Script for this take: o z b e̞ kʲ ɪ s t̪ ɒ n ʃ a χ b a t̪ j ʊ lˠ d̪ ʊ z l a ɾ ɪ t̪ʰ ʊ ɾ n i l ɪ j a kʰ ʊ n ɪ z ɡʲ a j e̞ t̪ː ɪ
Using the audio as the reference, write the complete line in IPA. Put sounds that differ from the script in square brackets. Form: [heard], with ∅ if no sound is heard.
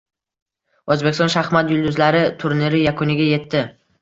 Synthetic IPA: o z b e̞ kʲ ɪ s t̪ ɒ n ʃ a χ [m] a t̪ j ʊ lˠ d̪ ʊ z l a ɾ ɪ t̪ʰ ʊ ɾ n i [ɾ] ɪ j a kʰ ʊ n ɪ [∅] ɡʲ a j e̞ t̪ː ɪ